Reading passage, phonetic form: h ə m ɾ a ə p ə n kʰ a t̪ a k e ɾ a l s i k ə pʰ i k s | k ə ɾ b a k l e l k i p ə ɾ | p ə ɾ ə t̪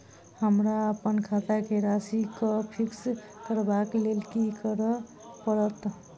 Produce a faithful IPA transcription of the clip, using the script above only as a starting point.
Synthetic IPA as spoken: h ə m ɾ a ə p ə n kʰ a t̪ a k e ɾ a s i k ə pʰ i k s | k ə ɾ b a k l e l k i k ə ɾ | p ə ɾ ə t̪